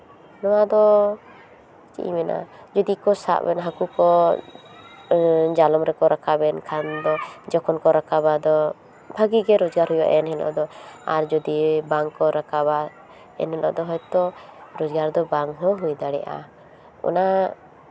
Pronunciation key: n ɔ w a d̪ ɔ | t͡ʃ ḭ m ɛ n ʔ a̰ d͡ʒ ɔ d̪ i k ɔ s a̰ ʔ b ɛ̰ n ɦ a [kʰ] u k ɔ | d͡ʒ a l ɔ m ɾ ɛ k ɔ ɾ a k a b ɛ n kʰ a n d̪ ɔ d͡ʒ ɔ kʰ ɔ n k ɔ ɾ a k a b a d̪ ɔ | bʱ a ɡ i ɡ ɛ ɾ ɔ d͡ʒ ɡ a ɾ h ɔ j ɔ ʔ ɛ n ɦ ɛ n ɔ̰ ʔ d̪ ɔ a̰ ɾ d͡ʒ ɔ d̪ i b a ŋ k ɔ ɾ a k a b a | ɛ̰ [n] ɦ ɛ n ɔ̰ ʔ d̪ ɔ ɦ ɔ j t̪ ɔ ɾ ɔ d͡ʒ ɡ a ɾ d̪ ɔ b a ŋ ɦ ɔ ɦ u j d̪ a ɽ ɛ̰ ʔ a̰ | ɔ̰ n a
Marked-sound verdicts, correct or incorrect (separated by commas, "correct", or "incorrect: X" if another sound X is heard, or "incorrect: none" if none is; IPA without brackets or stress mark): incorrect: k, correct